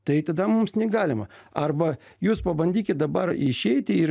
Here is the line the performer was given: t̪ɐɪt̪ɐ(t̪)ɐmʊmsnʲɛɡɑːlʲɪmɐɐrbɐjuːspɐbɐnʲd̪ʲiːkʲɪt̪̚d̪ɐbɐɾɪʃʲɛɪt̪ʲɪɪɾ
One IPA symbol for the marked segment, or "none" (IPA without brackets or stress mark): d̪